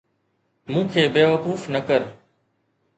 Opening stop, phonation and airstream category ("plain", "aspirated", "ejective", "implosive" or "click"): aspirated